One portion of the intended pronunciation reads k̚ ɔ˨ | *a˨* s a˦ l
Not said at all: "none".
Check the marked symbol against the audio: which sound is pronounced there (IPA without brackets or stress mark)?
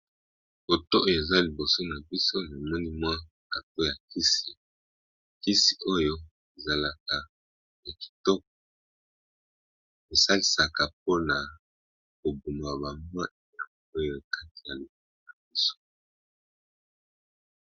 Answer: e˨